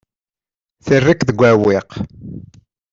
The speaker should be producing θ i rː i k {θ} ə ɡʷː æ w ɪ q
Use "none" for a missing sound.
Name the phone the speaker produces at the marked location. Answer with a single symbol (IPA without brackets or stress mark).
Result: ð